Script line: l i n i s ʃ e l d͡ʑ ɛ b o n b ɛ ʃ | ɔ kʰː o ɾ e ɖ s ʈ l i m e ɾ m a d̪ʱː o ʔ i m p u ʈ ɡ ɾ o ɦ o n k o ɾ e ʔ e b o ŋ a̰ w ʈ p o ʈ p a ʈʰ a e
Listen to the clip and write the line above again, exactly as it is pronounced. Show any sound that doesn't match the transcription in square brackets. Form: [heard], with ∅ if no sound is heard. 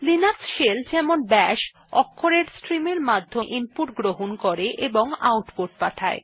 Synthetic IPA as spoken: l i n [a] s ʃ e l d͡ʑ ɛ [m] o n b ɛ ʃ | ɔ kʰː o ɾ e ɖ s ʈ [ɾ] i m e ɾ m a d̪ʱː o ʔ i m p u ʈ ɡ ɾ o ɦ o n k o ɾ e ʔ e b o ŋ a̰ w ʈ p o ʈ p a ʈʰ a e